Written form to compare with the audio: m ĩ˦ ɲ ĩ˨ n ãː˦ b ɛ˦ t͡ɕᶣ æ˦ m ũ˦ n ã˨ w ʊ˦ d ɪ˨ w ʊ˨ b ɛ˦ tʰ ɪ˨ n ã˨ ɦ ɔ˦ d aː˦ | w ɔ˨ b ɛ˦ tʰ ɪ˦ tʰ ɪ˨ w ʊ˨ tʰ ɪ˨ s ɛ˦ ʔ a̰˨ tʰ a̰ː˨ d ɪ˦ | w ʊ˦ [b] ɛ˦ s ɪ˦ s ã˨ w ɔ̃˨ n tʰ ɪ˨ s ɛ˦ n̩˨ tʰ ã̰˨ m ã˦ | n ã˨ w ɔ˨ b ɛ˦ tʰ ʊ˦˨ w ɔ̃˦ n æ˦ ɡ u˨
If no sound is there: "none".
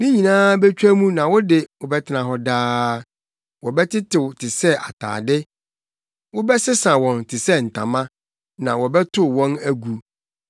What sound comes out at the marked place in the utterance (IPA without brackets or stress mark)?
b